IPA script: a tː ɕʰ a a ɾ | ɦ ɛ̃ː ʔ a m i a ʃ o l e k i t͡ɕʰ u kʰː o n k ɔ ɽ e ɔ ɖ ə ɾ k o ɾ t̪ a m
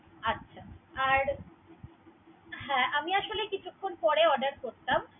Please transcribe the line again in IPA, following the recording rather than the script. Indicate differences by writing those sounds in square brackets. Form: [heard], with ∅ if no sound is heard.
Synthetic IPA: a tː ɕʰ a a ɾ | ɦ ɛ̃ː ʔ a m i a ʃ o l e k i t͡ɕʰ u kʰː o n [p] ɔ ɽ e ɔ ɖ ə ɾ k o ɾ t̪ a m